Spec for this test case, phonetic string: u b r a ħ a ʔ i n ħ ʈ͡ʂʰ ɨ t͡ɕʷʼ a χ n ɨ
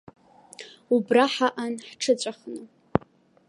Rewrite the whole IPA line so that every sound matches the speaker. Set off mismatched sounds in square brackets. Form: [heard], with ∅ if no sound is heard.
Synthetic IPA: u b r a ħ a ʔ [a] n ħ ʈ͡ʂʰ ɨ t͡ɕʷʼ a χ n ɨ